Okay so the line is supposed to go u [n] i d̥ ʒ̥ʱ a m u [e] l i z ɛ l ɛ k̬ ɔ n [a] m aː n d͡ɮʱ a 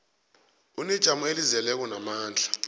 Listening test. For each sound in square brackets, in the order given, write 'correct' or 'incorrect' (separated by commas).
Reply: correct, correct, correct